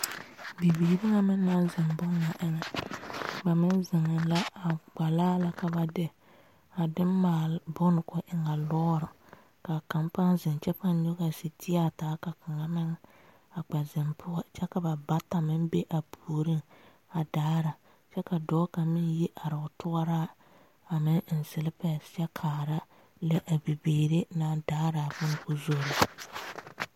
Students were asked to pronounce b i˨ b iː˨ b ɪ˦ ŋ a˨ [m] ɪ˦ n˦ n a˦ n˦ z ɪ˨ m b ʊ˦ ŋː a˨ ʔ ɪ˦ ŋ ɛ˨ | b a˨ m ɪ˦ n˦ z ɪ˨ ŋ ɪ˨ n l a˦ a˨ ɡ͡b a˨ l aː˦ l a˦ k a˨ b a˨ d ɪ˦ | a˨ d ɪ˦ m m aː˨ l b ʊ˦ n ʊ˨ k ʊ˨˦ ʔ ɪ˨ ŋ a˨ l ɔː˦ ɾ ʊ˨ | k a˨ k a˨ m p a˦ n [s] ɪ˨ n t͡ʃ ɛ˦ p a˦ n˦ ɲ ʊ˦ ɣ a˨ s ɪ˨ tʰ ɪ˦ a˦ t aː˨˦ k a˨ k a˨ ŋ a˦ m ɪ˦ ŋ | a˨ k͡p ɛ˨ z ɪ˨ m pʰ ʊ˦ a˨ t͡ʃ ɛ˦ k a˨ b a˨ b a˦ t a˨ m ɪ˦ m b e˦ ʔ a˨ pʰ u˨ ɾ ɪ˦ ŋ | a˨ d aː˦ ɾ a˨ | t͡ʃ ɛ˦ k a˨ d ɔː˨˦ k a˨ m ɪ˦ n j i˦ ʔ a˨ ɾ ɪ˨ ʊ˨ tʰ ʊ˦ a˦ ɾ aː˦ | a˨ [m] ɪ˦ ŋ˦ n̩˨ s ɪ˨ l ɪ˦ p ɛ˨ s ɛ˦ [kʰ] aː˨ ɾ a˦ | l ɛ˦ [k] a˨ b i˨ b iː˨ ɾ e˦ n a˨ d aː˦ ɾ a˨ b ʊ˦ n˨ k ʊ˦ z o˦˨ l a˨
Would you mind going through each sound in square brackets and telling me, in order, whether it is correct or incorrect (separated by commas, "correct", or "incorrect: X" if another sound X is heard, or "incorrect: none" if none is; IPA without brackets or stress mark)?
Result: correct, incorrect: z, correct, correct, incorrect: ʔ